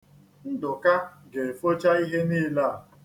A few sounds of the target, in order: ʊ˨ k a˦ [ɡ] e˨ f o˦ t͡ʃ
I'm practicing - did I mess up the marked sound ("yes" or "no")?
no